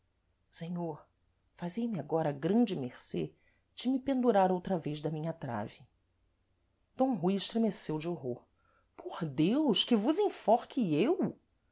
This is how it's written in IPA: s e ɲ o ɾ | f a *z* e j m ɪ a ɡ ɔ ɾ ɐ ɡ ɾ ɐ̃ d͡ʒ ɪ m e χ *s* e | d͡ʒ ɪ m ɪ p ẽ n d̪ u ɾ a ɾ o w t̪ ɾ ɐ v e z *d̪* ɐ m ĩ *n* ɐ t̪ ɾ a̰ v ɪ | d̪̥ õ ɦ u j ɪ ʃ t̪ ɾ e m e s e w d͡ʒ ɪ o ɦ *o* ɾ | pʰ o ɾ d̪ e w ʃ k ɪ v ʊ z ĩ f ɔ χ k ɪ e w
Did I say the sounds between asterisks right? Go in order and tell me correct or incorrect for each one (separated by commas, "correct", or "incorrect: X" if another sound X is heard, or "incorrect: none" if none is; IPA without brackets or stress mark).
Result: correct, correct, correct, incorrect: ɲ, correct